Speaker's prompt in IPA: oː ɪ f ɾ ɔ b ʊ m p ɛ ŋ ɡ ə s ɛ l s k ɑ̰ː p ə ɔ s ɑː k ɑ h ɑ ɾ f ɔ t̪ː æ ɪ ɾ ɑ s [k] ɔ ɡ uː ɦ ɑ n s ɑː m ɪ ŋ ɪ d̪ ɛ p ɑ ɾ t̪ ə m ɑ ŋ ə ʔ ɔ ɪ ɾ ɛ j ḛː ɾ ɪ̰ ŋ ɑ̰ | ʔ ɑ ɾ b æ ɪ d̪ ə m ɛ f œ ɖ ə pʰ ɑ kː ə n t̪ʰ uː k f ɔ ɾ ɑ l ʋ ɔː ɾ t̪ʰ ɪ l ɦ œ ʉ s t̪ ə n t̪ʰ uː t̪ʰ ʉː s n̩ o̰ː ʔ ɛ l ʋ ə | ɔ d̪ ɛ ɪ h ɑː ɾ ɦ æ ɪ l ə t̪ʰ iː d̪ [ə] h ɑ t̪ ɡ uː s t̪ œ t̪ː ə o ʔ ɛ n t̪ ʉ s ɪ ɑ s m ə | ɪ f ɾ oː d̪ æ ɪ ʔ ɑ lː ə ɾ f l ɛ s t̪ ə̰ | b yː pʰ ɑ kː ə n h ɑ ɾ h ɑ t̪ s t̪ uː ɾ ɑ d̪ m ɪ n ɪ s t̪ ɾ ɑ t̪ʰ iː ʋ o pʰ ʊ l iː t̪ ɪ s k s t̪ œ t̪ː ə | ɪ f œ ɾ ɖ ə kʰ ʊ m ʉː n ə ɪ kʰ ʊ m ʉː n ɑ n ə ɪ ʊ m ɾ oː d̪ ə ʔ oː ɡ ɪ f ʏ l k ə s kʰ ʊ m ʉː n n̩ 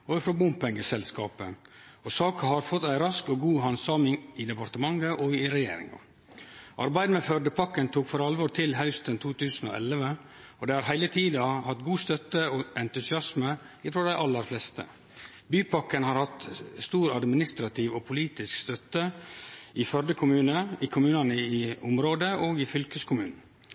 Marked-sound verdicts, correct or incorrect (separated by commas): correct, incorrect